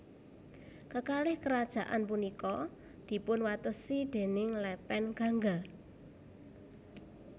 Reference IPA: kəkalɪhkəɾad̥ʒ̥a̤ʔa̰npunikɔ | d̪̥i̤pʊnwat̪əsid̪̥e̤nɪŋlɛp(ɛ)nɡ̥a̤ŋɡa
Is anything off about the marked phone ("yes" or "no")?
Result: no